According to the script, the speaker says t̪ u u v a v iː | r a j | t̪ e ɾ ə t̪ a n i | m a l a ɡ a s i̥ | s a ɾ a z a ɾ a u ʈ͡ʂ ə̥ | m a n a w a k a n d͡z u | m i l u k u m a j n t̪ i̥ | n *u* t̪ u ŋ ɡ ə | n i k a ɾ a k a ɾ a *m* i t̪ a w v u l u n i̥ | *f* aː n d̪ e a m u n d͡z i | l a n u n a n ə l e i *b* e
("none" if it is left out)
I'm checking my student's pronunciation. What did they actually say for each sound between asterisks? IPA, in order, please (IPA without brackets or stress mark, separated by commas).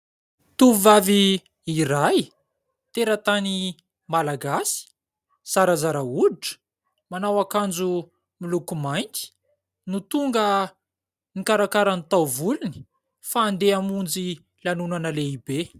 u, n, f, b